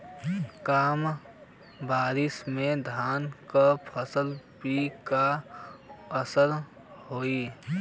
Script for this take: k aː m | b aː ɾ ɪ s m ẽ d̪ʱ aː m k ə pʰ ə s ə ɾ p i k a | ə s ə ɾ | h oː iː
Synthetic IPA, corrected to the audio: k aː m | b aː ɾ ɪ s m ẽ d̪ʱ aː n k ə pʰ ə s ə l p i k a | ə s ə ɾ | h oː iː